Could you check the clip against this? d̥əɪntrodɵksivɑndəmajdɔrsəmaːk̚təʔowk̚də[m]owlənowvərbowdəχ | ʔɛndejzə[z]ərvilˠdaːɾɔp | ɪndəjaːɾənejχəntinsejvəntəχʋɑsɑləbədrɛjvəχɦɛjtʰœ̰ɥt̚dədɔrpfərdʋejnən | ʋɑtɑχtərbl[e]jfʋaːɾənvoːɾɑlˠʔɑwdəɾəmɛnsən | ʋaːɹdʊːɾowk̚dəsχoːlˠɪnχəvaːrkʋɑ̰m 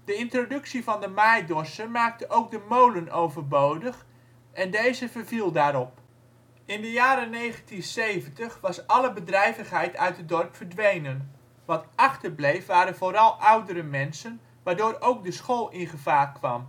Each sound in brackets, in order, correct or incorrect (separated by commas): correct, incorrect, correct